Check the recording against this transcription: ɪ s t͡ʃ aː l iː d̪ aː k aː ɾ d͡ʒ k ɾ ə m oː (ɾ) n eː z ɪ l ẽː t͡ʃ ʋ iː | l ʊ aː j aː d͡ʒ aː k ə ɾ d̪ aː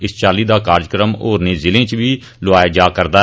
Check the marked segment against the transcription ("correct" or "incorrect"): correct